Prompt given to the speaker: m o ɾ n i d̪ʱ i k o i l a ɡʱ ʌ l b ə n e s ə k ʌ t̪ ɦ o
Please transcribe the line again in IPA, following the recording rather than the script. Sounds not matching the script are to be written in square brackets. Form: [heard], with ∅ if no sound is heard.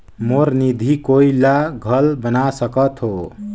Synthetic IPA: m o ɾ n i d̪ʱ i k o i l a ɡʱ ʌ l b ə n [a] s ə k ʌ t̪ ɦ o